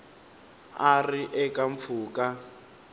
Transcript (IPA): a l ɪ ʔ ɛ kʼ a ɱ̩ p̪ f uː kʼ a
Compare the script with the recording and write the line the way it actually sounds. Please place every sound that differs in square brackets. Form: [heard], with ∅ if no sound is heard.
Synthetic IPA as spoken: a [r] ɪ ʔ ɛ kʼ a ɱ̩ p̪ f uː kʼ a